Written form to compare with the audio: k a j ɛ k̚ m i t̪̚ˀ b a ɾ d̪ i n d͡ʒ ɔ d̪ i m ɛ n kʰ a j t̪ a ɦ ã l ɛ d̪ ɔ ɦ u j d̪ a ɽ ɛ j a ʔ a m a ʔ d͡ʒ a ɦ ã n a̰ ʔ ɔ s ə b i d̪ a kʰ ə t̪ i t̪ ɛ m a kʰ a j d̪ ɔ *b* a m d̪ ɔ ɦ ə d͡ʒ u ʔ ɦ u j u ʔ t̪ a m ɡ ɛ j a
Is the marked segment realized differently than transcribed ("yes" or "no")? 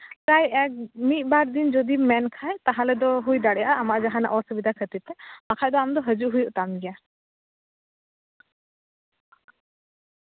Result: yes